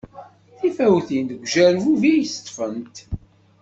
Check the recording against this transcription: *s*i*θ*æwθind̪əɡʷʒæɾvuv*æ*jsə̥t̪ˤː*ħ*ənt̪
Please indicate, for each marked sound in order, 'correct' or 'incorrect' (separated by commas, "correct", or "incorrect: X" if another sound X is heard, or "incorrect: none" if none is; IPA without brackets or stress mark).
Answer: incorrect: θ, incorrect: f, incorrect: i, incorrect: f